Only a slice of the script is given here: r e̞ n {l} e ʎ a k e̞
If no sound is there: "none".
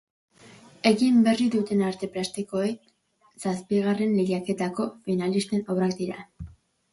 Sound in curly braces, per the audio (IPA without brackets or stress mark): l